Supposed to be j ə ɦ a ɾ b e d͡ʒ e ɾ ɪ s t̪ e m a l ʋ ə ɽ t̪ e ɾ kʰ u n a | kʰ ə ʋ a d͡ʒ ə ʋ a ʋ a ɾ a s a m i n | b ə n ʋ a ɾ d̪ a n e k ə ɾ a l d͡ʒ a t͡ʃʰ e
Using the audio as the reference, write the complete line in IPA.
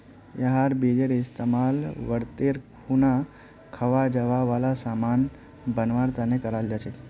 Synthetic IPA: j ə ɦ a ɾ b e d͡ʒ e ɾ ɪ s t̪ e m a l ʋ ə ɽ t̪ e ɾ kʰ u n a | kʰ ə ʋ a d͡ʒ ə ʋ a ʋ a l a s a m a n | b ə n ʋ a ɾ t̪ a n e k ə ɾ a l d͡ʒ a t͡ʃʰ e